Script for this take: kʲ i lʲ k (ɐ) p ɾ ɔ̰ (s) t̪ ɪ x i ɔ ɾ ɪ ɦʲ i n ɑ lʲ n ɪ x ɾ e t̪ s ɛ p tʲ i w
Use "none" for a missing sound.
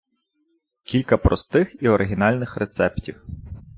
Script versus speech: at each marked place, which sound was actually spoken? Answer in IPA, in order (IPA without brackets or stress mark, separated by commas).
ɐ, s